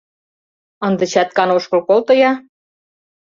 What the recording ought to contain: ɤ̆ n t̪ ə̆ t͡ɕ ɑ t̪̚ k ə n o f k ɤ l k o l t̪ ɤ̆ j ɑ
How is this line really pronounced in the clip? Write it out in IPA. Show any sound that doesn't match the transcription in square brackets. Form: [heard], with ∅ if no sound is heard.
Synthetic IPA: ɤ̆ n [d̪] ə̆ t͡ɕ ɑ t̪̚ k [ɑ] n o [ʃ] k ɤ l k o l t̪ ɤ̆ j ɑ